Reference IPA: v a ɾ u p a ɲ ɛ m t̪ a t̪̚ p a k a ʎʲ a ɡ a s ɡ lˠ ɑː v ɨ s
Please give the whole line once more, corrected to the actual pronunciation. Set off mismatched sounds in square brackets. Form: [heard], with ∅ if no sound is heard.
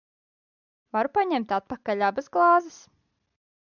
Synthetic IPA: v a ɾ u p a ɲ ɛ m t̪ a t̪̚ p a k a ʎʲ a [b] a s ɡ lˠ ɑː [z] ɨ s